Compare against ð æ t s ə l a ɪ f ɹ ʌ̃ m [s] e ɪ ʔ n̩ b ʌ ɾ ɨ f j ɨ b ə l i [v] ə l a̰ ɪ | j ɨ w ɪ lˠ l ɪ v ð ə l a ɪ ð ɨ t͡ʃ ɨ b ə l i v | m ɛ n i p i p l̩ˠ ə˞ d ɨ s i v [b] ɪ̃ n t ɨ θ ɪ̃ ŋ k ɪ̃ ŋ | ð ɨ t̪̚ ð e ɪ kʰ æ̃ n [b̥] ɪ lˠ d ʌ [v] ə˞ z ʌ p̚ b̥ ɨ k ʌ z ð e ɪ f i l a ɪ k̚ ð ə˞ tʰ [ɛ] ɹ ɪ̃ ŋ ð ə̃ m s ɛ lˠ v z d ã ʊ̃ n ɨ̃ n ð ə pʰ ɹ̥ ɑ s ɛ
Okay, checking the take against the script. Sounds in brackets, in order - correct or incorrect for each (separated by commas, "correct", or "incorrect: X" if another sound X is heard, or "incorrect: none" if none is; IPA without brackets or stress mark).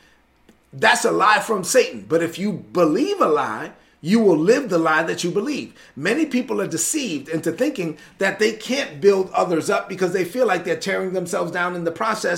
correct, correct, incorrect: d, correct, incorrect: ð, correct